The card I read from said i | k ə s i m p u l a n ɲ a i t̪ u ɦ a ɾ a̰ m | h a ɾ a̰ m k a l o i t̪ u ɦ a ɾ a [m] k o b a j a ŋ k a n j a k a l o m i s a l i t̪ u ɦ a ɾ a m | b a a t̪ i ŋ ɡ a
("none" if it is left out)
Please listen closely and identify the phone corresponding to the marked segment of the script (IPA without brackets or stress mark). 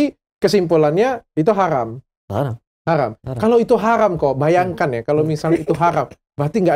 m